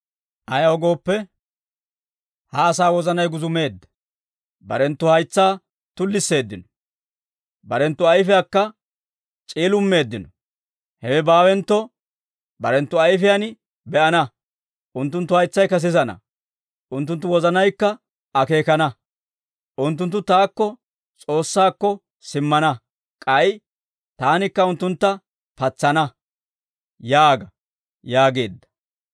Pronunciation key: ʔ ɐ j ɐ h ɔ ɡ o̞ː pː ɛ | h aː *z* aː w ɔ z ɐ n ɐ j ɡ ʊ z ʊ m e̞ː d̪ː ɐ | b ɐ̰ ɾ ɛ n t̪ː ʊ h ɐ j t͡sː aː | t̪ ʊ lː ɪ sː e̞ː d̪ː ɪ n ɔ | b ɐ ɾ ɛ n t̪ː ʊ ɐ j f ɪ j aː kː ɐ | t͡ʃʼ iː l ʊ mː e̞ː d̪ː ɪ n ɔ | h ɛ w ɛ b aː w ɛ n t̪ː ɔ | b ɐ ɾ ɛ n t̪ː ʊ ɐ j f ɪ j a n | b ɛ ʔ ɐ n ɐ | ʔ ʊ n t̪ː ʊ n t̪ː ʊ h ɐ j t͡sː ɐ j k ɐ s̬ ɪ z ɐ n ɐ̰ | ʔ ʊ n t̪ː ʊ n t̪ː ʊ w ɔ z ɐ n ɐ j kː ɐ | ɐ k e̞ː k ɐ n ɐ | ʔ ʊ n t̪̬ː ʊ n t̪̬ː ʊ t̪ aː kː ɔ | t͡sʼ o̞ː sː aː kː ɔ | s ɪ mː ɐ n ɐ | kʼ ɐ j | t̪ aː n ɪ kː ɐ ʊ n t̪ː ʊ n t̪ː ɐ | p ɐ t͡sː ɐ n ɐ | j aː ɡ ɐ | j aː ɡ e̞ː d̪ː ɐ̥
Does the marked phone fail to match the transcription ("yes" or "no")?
yes